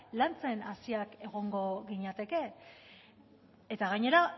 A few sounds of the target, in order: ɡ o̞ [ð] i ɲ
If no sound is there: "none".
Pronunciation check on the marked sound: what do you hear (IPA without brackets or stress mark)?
ɣ